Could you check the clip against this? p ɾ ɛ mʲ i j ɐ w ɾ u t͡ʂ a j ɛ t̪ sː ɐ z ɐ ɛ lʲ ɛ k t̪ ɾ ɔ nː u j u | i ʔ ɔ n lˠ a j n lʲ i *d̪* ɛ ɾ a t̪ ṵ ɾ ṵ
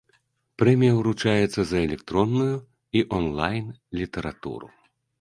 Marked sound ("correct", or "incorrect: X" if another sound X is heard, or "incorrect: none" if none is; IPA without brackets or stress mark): incorrect: t̪